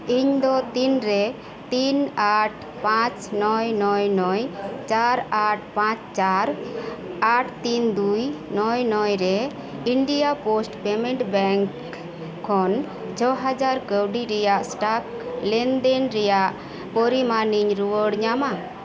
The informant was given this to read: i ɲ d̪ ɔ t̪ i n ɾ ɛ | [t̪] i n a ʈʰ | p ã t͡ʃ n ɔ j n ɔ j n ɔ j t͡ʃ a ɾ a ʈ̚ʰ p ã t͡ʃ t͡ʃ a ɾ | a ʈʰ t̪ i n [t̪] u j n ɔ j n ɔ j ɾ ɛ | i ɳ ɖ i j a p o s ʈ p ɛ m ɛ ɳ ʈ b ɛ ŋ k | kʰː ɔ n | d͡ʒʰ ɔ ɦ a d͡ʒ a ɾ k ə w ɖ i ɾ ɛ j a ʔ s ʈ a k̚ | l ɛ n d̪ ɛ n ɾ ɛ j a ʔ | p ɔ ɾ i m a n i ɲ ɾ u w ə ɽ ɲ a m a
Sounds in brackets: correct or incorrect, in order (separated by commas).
correct, incorrect